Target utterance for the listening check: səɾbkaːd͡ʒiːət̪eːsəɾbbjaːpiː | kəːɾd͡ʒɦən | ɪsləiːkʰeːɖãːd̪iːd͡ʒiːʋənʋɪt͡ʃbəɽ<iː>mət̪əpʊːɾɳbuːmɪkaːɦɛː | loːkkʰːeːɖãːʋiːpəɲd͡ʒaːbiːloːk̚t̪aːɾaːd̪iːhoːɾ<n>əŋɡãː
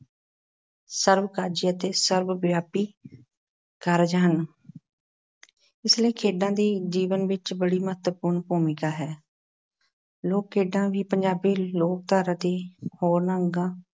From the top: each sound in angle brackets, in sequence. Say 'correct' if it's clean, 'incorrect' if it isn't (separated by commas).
correct, correct